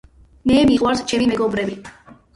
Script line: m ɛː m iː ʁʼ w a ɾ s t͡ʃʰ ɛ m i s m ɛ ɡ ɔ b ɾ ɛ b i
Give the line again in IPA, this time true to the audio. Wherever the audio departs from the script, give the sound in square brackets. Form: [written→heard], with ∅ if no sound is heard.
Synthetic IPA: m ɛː m [iː→i] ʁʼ w a ɾ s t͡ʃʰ ɛ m i [s→∅] m ɛ ɡ ɔ b ɾ ɛ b i